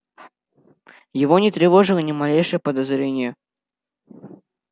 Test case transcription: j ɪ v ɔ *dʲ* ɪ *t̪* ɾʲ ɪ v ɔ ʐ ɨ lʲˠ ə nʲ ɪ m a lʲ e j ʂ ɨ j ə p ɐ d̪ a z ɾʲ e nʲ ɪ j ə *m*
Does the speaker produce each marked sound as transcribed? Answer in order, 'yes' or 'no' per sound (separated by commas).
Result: no, yes, no